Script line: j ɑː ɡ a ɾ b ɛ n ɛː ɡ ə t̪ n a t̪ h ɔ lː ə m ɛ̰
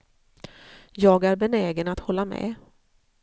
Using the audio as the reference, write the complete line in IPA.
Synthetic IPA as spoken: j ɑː ɡ æ ɾ b ɛ n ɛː ɡ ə n a t̪ h ɔ lː a m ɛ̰